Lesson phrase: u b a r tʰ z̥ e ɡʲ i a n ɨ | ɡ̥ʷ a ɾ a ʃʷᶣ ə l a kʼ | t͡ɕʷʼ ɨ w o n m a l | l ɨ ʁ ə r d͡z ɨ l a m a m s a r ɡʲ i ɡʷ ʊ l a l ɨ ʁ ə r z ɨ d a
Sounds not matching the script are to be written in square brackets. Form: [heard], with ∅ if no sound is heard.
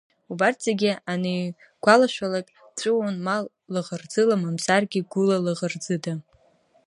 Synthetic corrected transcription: u b a r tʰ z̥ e ɡʲ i a n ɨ | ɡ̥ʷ a [l] a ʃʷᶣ [a] l a kʼ | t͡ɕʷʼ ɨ w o n m a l | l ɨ ʁ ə r d͡z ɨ l a m a m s a r ɡʲ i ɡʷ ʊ l a l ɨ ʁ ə r [d͡z] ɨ d a

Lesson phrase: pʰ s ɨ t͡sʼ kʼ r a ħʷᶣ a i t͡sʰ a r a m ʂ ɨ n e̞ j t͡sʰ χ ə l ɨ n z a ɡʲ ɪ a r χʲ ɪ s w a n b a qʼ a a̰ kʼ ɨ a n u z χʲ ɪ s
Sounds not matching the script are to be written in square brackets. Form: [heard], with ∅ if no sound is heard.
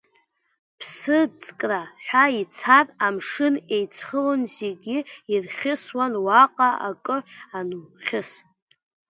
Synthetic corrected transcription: pʰ s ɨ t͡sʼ kʼ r a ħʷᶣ a i t͡sʰ a r a m ʂ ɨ n e̞ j t͡sʰ χ ə l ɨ n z [e] ɡʲ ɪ [i] r χʲ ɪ s w a n [w] a qʼ a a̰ kʼ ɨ a n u [∅] χʲ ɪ s

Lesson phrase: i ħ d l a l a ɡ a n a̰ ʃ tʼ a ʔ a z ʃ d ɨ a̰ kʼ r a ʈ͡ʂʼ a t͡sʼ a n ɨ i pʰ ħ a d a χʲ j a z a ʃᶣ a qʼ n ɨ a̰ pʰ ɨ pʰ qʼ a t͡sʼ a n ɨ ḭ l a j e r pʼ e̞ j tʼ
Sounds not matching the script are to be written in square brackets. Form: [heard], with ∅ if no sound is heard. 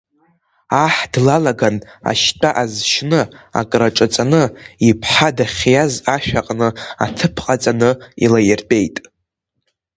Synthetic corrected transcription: [a] ħ d l a l a ɡ a n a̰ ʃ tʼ a ʔ a z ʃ [n] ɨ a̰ kʼ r a ʈ͡ʂʼ a t͡sʼ a n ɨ i pʰ ħ a d a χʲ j a z a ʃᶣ a qʼ n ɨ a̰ [tʰ] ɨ pʰ qʼ a t͡sʼ a n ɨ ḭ l a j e r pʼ e̞ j tʼ

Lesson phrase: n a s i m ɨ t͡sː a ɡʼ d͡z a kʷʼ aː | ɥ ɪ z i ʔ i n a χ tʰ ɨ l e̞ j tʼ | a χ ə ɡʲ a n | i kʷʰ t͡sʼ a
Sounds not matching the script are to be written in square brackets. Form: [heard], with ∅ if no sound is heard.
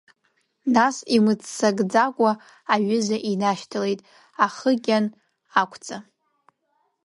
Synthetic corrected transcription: n a s i m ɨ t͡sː a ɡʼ d͡z a kʷʼ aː | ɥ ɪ z [a] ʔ i n a [ʃ] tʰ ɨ l e̞ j tʼ | a χ ə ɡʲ a n | [a] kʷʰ t͡sʼ a

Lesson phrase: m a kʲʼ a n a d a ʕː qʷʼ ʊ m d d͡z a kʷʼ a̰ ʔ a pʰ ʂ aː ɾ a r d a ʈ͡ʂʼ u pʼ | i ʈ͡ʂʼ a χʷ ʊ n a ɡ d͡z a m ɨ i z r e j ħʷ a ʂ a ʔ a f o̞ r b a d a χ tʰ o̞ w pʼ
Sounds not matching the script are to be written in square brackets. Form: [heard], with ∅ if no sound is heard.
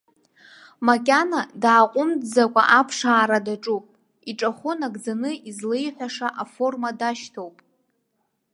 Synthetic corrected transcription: m a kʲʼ a n a d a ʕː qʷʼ ʊ m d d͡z a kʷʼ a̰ ʔ a pʰ ʂ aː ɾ a [∅] d a ʈ͡ʂʼ u pʼ | i ʈ͡ʂʼ a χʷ ʊ n a ɡ d͡z a [n] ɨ i z [l] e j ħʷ a ʂ a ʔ a f o̞ r [m] a d a [ʃ] tʰ o̞ w pʼ

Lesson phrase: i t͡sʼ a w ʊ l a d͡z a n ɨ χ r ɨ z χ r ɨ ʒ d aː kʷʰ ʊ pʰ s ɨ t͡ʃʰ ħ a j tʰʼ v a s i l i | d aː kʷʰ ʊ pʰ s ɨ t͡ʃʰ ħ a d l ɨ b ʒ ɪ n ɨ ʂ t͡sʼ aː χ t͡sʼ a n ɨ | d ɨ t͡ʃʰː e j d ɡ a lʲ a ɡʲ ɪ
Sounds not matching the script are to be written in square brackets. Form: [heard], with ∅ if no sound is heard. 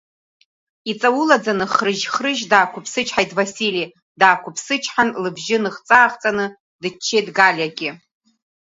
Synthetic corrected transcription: i t͡sʼ a w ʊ l a d͡z a n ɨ χ r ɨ [ʒ] χ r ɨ ʒ d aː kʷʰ ʊ pʰ s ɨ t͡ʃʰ ħ a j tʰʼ v a s i l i | d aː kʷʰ ʊ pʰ s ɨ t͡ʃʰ ħ a [n] l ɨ b ʒ ɪ n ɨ [χ] t͡sʼ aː χ t͡sʼ a n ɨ | d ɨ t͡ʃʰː e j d ɡ a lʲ a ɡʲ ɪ

